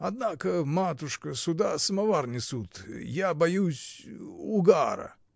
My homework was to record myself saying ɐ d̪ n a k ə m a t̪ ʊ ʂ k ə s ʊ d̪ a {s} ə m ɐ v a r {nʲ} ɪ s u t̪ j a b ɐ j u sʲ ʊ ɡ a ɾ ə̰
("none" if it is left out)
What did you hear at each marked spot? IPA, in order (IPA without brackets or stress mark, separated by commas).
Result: s, nʲ